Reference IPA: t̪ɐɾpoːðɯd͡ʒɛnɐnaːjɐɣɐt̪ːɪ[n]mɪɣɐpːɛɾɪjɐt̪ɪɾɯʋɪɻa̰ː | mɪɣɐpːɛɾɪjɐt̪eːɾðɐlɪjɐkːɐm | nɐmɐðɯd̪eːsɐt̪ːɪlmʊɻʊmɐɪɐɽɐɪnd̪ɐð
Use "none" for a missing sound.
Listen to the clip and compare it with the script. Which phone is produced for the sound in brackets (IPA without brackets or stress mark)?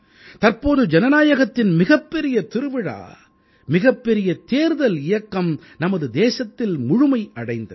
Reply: n